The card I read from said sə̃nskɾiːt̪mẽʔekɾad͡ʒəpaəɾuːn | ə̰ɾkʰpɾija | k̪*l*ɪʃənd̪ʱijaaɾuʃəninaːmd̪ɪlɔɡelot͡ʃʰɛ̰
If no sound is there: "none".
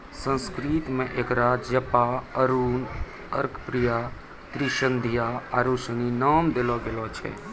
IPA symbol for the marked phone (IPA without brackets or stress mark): ɾ